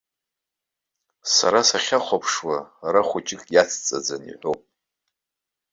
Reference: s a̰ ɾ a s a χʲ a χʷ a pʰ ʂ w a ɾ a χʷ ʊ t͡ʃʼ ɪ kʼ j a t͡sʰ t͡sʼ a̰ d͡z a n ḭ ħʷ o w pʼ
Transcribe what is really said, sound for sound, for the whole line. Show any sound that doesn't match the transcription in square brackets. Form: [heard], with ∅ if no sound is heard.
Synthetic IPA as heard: s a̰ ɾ a s a χʲ a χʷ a pʰ ʂ w a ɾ a χʷ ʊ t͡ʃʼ ɪ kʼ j a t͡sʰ t͡sʼ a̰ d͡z a n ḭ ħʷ o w pʼ

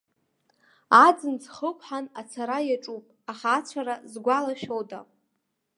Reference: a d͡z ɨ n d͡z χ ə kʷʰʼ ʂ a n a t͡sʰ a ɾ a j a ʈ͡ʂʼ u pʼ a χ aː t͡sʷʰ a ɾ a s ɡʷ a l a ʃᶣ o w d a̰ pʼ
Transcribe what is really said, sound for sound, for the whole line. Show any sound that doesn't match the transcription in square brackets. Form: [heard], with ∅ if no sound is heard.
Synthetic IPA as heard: a d͡z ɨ n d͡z χ ə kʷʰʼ [ħ] a n a t͡sʰ a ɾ a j a ʈ͡ʂʼ u pʼ a χ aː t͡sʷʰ a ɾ a [z] ɡʷ a l a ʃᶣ o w d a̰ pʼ

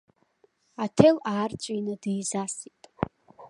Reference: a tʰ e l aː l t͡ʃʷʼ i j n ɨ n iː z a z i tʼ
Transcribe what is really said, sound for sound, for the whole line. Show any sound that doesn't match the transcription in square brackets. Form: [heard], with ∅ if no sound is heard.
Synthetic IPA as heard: a tʰ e l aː [r] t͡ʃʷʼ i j n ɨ [d] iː z a [s] i tʼ

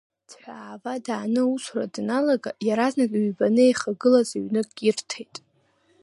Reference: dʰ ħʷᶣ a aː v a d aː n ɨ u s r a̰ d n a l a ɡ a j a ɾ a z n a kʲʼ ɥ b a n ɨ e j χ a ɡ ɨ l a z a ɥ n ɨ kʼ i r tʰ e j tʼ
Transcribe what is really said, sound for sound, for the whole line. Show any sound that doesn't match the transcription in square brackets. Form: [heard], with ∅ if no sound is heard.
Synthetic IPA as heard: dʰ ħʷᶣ a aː v a d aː n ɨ u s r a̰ d n a l a ɡ a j a ɾ a z n a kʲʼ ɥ b a n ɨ e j χ a ɡ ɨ l a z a ɥ n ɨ kʼ i r tʰ e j tʼ

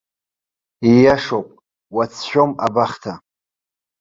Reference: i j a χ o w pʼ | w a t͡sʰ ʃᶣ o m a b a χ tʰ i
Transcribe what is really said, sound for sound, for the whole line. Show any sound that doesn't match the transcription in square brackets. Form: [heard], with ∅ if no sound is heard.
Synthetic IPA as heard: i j a [ʂ] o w pʼ | w a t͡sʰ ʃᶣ o m a b a χ tʰ [a]

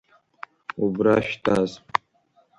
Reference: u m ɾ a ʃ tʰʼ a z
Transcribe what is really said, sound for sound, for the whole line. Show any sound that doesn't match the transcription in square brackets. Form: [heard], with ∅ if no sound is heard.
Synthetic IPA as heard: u [b] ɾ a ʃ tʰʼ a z

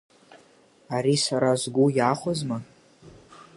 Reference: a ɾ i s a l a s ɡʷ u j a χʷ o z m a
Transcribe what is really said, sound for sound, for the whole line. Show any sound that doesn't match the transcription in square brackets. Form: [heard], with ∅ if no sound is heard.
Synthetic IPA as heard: a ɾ i s a [ɾ] a [z] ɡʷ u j a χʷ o z m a

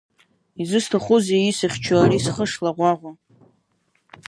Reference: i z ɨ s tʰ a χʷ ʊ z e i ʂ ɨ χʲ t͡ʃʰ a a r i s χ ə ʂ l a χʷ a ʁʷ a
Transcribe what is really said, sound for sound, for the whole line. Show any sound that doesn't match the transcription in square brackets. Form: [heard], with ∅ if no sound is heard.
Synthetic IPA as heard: i z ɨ s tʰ a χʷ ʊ z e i [s] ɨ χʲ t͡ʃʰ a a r i s χ ə ʂ l a [ʁʷ] a ʁʷ a

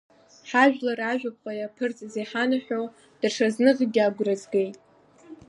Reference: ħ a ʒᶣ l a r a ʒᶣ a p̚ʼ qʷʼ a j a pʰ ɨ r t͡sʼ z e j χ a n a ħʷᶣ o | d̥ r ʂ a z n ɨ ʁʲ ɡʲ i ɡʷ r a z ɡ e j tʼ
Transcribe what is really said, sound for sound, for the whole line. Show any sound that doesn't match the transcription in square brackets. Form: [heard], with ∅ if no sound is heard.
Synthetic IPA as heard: ħ a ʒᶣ l a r a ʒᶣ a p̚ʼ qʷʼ a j a pʰ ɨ r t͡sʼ z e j [ħ] a n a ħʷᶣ o | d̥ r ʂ a z n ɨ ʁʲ ɡʲ [a] ɡʷ r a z ɡ e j tʼ

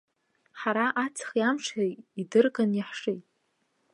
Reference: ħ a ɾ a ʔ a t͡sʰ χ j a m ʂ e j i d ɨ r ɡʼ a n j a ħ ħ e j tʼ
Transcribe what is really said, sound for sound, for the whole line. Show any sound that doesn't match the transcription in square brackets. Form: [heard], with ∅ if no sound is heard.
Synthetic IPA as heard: ħ a ɾ a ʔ a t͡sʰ χ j a m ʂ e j i d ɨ r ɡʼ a n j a ħ [ʂ] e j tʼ

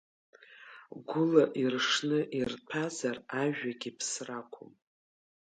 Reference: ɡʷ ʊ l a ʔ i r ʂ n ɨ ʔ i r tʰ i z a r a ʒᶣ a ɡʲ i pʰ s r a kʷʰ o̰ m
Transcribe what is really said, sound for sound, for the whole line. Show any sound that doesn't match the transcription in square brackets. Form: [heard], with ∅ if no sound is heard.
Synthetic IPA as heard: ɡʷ ʊ l a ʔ i r ʂ n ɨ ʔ i r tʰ [a] z a r a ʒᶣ a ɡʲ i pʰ s r a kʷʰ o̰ m

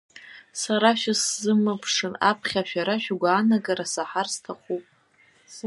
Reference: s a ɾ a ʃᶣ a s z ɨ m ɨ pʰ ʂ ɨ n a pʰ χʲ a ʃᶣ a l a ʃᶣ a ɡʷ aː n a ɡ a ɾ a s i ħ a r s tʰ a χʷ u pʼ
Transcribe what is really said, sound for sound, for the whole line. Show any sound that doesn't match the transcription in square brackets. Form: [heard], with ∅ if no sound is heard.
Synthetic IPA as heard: s a ɾ a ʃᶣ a s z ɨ m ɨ pʰ ʂ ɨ n a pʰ χʲ a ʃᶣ a [ɾ] a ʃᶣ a ɡʷ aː n a ɡ a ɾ a s [a] ħ a r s tʰ a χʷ u pʼ

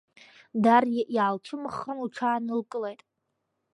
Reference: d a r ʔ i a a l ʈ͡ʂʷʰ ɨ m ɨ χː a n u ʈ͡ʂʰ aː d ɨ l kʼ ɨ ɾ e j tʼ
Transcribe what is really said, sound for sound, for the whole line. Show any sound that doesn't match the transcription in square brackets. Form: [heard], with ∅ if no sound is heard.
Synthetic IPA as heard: d a r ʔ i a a l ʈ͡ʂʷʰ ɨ m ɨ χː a n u ʈ͡ʂʰ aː [n] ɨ l kʼ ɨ [l] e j tʼ

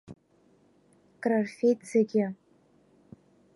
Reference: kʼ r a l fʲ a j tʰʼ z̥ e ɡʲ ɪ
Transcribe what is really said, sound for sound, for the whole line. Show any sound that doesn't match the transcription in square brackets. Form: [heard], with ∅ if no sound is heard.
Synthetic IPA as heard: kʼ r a [r] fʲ [e] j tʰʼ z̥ e ɡʲ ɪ

